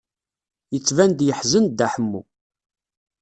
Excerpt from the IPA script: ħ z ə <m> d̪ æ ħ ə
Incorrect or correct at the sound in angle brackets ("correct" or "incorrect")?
incorrect